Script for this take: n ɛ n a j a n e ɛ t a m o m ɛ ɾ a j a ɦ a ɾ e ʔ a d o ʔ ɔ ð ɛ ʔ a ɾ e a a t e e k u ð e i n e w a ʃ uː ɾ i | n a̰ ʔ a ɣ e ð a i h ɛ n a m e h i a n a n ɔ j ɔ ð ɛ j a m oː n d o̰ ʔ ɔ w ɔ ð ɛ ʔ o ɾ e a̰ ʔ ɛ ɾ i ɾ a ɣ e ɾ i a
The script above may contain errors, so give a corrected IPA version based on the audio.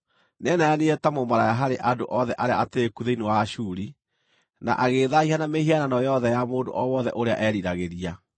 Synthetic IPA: n ɛ n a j a n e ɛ t a m o m a ɾ a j a ɦ a ɾ e ʔ a d o ʔ ɔ ð ɛ ʔ a ɾ e a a t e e k u ð e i n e w a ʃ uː ɾ i | n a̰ ʔ a ɣ e ð a i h a n a m e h i a n a n ɔ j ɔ ð ɛ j a m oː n d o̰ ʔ ɔ w ɔ ð ɛ ʔ o ɾ e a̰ ʔ ɛ ɾ i ɾ a ɣ e ɾ i a

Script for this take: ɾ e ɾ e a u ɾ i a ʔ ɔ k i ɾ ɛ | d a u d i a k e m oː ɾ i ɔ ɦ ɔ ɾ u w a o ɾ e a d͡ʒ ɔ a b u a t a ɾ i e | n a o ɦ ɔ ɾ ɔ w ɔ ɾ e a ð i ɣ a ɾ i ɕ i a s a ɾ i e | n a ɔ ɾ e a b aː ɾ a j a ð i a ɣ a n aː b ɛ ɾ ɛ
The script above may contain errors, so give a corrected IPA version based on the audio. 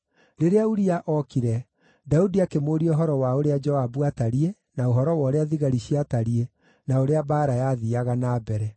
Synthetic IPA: ɾ e ɾ e a u ɾ i a ʔ ɔ k i ɾ ɛ | d a u d i a k e m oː ɾ i ɔ ɦ ɔ ɾ ɔ w a o ɾ e a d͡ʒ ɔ a b u a t a ɾ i e | n a o ɦ ɔ ɾ ɔ w ɔ ɾ e a ð i ɣ a ɾ i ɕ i a t a ɾ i e | n a o ɾ e a b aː ɾ a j a ð i a ɣ a n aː b ɛ ɾ ɛ

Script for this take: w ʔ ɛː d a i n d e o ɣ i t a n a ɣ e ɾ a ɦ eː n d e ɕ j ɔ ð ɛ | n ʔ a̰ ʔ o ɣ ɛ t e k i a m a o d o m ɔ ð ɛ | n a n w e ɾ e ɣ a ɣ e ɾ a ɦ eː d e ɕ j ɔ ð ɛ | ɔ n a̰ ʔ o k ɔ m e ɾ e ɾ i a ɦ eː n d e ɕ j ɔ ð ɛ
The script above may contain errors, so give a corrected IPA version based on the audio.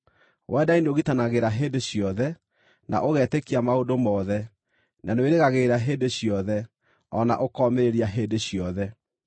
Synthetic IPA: w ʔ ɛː d a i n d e o ɣ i t a n a ɣ e ɾ a ɦ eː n d e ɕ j ɔ ð ɛ | n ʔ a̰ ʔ o ɣ ɛ t e k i a m a o d o m ɔ ð ɛ | n a n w e ɾ e ɣ a ɣ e ɾ a ɦ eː d e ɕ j ɔ ð ɛ | ɔ n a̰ ʔ o k ɔ m e ɾ e ɾ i a ɦ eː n d e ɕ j ɔ ð ɛ

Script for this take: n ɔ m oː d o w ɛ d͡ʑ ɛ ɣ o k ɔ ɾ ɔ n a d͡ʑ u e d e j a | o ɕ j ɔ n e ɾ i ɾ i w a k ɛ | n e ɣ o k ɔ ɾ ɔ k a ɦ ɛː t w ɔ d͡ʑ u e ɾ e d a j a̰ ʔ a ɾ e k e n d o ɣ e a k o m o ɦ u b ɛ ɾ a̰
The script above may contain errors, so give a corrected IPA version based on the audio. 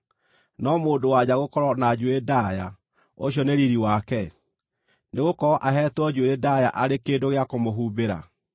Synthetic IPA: n ɔ m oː d o w a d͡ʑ a ɣ o k ɔ ɾ ɔ n a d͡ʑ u e d a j a | o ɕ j ɔ n e ɾ i ɾ i w a k ɛ | n e ɣ o k ɔ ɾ ɔ ʔ a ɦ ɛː t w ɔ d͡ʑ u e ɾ e d a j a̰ ʔ a ɾ e k e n d o ɣ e a k o m o ɦ u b e ɾ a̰

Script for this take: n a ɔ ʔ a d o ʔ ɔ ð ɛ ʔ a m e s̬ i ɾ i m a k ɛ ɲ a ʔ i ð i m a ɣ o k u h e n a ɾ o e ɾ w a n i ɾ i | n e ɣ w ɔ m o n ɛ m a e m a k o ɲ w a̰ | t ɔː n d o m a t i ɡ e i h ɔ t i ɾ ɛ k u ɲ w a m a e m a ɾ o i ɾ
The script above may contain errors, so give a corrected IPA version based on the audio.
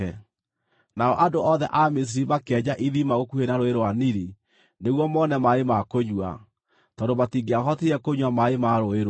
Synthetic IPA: n a ɔ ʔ a d o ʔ ɔ ð ɛ ʔ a m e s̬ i ɾ i m a k ɛ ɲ a ʔ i ð i m a ɣ o k u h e n a ɾ o e ɾ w a n i ɾ i | n e ɣ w ɔ m ɔ n ɛ m a e m a k o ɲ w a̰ | t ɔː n d o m a t i ɡ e a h ɔ t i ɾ ɛ k o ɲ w a m a e m a ɾ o e ɾ

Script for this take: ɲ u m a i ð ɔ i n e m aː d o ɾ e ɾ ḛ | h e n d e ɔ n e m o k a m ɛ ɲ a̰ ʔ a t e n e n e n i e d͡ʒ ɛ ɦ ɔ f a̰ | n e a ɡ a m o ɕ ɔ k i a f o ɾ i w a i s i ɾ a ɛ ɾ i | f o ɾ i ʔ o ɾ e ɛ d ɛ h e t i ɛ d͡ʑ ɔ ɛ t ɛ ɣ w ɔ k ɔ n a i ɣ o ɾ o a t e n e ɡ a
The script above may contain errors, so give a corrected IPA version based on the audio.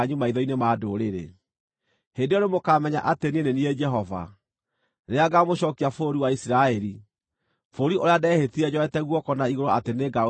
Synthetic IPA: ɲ u m a i ð ɔ i n e m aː d o ɾ e ɾ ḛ | h e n d e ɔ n e m o k a m ɛ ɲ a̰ ʔ a t e n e n e n i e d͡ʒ ɛ ɦ ɔ v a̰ | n e a ɡ a m o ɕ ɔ k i a f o ɾ i w a i s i ɾ a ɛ ɾ i | f o ɾ i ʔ o ɾ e a d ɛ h e t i ɛ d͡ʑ ɔ ɛ t ɛ ɣ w ɔ k ɔ n a i ɣ o ɾ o a t e n e ɡ a

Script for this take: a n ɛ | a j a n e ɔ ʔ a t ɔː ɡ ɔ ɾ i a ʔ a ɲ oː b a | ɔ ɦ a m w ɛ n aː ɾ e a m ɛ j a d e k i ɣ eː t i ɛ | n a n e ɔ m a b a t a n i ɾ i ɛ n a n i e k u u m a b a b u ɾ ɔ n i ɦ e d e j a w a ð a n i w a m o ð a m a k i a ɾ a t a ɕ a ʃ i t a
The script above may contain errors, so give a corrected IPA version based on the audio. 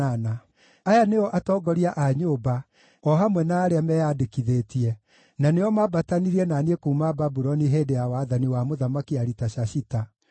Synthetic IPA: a n a | a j a n e ɔ ʔ a t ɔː ɡ ɔ ɾ i a ʔ a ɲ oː b a | ɔ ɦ a m w ɛ n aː ɾ e a m ɛ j a d e k i ð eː t i ɛ | n a n e ɔ m a b a t a n i ɾ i ɛ n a n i e k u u m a b a b u ɾ ɔ n i ɦ e d e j a w a ð a n i w a m o ð a m a k i a ɾ i t a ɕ a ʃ i t a

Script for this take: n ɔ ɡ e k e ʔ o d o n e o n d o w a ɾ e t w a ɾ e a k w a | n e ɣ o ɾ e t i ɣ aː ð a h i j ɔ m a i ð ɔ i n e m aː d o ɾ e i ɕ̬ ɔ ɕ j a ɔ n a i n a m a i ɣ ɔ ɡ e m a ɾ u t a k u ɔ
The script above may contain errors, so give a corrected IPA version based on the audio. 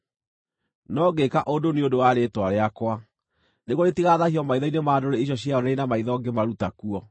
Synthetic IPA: n ɔ ɡ e k a ʔ o d o n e o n d o w a ɾ e t w a ɾ e a k w a | n e ɣ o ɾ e t i ɣ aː ð a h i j ɔ m a i ð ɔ i n e m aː d o ɾ e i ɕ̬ ɔ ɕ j a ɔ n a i n a m a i ð ɔ ɡ e m a ɾ u t a k u ɔ

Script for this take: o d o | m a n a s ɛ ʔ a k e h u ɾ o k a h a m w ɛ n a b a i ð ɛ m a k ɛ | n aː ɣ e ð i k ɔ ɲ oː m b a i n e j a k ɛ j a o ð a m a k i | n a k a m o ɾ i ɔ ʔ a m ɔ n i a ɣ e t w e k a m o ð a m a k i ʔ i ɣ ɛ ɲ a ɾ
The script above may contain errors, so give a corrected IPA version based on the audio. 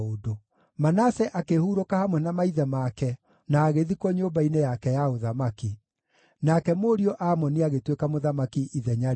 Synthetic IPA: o d o | m a n a s ɛ ʔ a k e h u ɾ o k a h a m w ɛ n a m a i ð ɛ m a k ɛ | n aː ɣ e ð i k ɔ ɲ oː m b a i n e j a k ɛ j a o ð a m a k i | n a k ɛ m o ɾ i ɔ ʔ a m ɔ n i a ɣ e t w e k a m o ð a m a k i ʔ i ð ɛ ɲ a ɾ

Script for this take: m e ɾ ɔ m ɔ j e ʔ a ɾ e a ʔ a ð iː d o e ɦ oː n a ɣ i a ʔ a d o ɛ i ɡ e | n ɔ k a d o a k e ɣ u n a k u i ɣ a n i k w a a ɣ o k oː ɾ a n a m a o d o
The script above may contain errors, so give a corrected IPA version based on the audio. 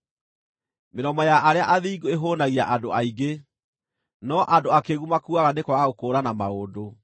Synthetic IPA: m e ɾ ɔ m ɔ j a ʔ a ɾ e a ʔ a ð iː ɡ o e ɦ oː n a ɣ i a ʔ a d o a i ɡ e | n ɔ ʔ a d o a k e ɣ u m a k u a ɣ a n e k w a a ɣ o k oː ɾ a n a m a o d o

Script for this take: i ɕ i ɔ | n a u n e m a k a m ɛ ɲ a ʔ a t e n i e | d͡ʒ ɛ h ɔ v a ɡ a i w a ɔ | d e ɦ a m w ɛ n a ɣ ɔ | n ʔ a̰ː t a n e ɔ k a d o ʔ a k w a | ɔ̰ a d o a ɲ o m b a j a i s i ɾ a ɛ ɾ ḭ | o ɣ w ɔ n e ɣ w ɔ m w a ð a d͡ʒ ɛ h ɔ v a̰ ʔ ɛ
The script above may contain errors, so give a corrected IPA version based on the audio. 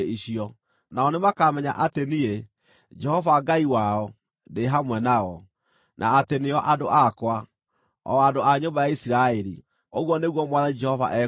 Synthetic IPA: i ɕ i ɔ | n a ɔ n e m a k a m ɛ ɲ a ʔ a t e n i e | d͡ʒ ɛ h ɔ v a ɡ a i w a ɔ | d e ɦ a m w ɛ n a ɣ ɔ | n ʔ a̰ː t e n e ɔ ʔ a d o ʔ a k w a | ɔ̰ a d o a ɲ o m b a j a i s i ɾ a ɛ ɾ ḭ | o ɣ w ɔ n e ɣ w ɔ m w a ð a d͡ʒ ɛ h ɔ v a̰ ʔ ɛ

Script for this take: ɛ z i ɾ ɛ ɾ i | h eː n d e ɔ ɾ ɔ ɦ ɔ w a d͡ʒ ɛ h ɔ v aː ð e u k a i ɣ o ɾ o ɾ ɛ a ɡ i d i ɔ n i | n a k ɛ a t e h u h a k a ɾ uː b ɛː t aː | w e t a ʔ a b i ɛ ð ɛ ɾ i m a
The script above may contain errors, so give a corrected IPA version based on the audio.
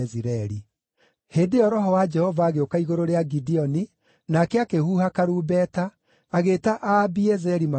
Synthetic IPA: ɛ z i ɾ ɛ ɾ i | h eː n d e ɔ ɾ ɔ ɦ ɔ w a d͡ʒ ɛ h ɔ v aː ɣ e o k a i ɣ o ɾ o ɾ e a ɡ i d i ɔ n i | n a k ɛ a k e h u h a k a ɾ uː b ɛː t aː | ɣ e t a ʔ a b i ɛ z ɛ ɾ i m a

